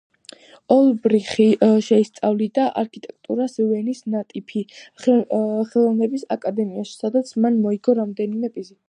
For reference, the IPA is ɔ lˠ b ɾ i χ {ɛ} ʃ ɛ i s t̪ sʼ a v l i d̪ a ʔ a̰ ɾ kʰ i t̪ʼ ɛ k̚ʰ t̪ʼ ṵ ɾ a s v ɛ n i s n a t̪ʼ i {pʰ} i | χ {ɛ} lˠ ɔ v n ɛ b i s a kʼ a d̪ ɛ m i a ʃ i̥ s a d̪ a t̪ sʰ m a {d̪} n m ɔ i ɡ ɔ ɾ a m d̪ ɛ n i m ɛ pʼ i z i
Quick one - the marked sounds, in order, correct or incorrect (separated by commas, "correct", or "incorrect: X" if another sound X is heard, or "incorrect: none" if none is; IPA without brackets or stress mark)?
incorrect: i, correct, correct, incorrect: none